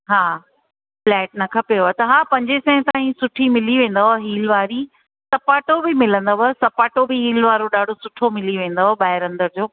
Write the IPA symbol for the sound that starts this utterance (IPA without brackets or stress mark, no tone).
ɦ